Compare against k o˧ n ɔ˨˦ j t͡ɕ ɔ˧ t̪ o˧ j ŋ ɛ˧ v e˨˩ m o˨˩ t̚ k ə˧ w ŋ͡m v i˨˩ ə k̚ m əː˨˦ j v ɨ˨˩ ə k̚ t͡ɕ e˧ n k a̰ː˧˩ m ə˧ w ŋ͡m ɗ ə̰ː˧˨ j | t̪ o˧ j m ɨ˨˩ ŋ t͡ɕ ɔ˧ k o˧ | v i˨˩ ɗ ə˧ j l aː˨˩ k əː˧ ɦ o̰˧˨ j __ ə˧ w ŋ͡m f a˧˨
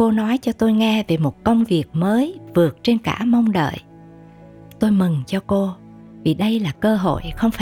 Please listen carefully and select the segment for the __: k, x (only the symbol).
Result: x